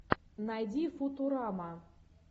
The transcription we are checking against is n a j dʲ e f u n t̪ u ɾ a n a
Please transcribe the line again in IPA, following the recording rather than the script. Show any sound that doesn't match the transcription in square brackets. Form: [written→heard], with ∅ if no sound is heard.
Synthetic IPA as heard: n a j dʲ [e→i] f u [n→∅] t̪ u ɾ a [n→m] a